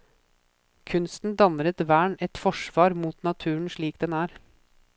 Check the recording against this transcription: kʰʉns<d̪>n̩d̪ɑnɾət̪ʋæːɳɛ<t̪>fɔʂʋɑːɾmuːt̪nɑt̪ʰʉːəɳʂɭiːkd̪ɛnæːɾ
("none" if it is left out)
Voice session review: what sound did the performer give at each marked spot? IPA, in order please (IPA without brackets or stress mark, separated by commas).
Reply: t̪, t̪